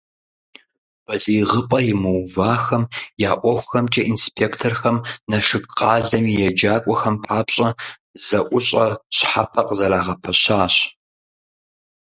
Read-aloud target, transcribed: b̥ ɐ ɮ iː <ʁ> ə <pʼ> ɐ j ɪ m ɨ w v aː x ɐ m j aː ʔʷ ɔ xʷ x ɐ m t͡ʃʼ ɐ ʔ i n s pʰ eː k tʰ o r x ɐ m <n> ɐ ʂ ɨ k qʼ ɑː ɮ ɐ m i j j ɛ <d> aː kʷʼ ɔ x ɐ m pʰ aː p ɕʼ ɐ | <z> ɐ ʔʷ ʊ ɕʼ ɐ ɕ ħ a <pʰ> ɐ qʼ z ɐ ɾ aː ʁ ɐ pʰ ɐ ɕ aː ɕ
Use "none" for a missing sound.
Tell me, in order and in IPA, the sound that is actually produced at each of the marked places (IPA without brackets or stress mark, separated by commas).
ʁ, pʼ, n, d͡ʒ, z, pʰ